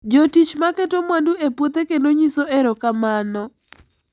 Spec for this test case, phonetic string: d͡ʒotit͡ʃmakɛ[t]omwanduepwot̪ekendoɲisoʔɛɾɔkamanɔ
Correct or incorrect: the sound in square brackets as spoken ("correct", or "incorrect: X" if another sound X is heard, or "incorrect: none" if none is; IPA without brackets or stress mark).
correct